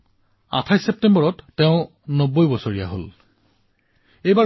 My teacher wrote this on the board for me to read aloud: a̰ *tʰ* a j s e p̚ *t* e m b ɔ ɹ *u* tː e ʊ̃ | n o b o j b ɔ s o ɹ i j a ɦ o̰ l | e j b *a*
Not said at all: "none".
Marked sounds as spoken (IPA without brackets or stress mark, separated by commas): tʰ, t, ɔ, a